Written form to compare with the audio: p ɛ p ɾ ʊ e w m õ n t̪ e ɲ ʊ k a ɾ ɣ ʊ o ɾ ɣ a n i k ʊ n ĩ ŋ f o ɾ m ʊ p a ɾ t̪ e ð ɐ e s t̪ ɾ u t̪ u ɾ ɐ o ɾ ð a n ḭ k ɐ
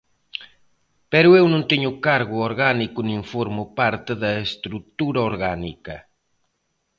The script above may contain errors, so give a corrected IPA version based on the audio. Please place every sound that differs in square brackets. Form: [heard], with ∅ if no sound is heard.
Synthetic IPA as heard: p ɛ [∅] ɾ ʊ e w [n] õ n t̪ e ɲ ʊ k a ɾ ɣ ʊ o ɾ ɣ a n i k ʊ n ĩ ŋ f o ɾ m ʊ p a ɾ t̪ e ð ɐ e s t̪ ɾ u t̪ u ɾ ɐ o ɾ [ɣ] a n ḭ k ɐ